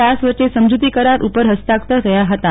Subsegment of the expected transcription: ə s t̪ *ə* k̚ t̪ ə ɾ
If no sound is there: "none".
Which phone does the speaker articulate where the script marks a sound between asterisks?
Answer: a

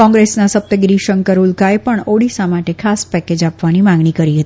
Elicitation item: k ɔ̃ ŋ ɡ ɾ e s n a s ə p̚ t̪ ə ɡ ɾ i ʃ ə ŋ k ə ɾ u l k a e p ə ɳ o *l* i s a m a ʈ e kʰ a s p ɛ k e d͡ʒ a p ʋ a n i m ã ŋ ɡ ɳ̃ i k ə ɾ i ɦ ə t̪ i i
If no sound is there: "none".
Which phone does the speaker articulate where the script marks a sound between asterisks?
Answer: ɽ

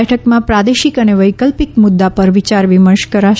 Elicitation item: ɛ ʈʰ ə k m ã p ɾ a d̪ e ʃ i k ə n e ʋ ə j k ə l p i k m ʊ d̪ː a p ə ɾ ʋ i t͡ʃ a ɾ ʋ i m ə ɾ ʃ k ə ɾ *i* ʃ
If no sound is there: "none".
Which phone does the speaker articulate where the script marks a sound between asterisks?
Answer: a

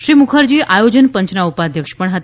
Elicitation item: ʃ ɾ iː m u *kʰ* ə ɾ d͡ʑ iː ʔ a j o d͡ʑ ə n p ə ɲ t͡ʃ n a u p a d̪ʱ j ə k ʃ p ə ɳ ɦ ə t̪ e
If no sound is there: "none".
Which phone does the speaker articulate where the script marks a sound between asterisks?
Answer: kʰ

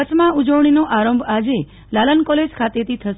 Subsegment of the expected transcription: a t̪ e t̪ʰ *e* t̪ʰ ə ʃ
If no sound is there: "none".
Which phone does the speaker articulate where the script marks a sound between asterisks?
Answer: i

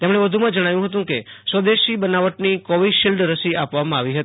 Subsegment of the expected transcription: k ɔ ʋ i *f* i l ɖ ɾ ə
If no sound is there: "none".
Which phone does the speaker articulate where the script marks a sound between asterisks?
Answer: ʃ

